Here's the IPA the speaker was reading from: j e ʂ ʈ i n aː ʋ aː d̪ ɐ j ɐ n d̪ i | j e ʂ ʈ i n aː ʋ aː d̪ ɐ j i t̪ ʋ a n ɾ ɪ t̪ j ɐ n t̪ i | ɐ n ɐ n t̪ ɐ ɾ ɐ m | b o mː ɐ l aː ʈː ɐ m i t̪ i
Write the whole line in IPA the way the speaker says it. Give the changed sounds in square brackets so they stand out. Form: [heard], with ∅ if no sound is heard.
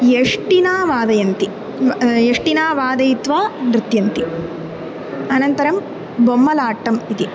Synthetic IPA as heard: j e ʂ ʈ i n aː ʋ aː d̪ ɐ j ɐ n [t̪] i | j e ʂ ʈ i n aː ʋ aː d̪ ɐ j i t̪ ʋ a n ɾ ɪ t̪ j ɐ n t̪ i | ɐ n ɐ n t̪ ɐ ɾ ɐ m | b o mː ɐ l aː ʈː ɐ m i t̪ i